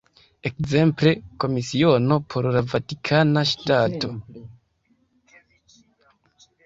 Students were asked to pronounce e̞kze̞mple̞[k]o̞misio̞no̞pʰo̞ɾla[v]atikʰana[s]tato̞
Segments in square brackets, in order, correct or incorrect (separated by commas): correct, correct, incorrect